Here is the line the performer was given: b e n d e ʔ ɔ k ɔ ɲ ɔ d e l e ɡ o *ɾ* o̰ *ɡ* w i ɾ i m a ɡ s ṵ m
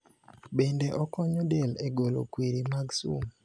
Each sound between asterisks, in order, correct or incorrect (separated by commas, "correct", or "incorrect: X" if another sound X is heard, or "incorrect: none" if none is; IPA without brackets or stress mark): incorrect: l, incorrect: k